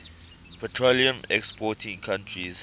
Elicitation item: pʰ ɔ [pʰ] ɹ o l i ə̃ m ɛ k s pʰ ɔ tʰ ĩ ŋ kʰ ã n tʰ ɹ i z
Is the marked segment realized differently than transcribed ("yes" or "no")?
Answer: yes